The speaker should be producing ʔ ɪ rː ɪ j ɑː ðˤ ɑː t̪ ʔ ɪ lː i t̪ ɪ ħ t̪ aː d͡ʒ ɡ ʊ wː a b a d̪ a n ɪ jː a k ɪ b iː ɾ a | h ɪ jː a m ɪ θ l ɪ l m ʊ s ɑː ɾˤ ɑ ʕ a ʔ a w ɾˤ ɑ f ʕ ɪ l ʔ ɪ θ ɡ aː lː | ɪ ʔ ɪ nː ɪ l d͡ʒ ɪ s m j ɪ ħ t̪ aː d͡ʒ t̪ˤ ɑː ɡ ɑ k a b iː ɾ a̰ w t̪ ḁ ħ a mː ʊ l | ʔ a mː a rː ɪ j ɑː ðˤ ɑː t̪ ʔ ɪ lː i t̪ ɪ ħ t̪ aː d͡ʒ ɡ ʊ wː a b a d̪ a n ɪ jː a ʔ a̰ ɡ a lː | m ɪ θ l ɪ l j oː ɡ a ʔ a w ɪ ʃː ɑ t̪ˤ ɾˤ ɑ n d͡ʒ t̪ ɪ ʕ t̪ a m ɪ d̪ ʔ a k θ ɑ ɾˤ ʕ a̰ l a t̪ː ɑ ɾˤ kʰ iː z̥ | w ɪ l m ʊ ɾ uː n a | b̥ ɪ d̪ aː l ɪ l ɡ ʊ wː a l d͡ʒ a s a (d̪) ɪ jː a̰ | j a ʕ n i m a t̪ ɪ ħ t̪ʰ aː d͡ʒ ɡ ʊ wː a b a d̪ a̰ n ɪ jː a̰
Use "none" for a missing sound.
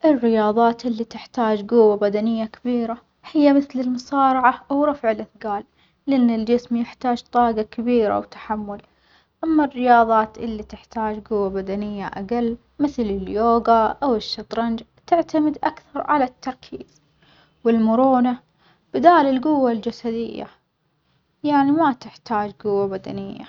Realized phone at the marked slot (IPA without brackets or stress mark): d̪